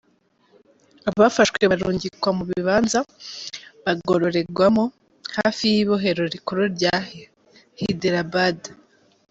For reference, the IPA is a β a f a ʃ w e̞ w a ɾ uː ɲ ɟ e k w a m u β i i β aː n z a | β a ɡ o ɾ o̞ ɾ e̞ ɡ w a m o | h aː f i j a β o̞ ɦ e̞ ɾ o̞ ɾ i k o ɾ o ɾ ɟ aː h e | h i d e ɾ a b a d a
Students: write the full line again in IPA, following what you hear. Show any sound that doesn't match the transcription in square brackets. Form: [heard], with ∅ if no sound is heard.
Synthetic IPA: a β a f a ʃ w e̞ [β] a ɾ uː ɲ ɟ [i] k w a m u β i i β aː n z a | β a ɡ o ɾ o̞ ɾ e̞ ɡ w a m o | h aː f i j [i] β o̞ ɦ e̞ ɾ o̞ ɾ i k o ɾ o ɾ ɟ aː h e | h i d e ɾ a b a d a